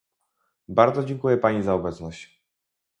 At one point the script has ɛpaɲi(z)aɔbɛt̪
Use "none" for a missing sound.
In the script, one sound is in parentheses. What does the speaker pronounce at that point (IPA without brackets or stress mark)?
z